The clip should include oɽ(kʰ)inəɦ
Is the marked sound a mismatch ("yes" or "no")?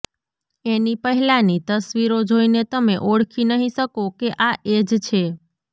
no